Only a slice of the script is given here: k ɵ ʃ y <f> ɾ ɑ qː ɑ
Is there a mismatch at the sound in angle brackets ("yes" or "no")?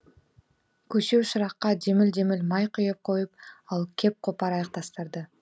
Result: yes